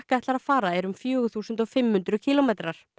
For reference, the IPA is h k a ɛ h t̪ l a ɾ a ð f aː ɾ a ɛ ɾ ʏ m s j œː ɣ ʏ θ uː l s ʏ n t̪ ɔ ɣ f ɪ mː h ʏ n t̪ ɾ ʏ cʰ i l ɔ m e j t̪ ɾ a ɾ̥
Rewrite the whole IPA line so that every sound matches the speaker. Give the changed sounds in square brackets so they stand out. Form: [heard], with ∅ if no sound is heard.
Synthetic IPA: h k a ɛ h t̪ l a ɾ a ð f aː ɾ a ɛ ɾ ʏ m [f] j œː ɣ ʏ θ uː [∅] s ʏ n t̪ ɔ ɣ f ɪ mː h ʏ n t̪ ɾ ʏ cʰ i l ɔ m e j t̪ ɾ a ɾ̥